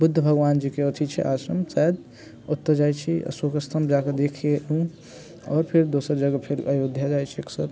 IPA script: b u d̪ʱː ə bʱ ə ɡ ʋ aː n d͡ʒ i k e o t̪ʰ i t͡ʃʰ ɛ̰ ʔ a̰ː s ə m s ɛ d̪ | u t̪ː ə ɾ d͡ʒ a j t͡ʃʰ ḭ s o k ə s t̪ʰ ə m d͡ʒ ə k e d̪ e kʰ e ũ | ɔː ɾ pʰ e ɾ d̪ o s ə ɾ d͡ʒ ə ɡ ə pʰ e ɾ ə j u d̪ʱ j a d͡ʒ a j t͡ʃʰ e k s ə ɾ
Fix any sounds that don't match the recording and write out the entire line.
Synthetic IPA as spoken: b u d̪ʱː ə bʱ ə ɡ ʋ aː n d͡ʒ i k e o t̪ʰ i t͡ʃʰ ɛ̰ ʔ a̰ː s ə m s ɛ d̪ | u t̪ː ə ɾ d͡ʒ a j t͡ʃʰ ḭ s o k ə s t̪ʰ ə m d͡ʒ a k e d̪ e kʰ e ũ | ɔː ɾ pʰ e ɾ d̪ o s ə ɾ d͡ʒ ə ɡ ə pʰ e ɾ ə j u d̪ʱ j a d͡ʒ a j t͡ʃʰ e k s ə ɾ